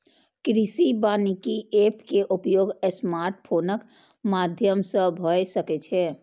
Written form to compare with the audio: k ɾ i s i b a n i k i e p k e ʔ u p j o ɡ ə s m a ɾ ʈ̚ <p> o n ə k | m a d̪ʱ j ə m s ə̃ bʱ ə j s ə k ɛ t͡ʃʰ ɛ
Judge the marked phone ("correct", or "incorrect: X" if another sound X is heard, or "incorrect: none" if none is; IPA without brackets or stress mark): incorrect: pʰ